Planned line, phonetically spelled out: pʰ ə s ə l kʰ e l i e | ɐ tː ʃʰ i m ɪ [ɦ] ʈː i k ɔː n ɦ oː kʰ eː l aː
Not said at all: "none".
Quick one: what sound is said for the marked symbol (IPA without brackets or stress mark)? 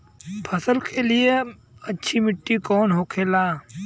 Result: none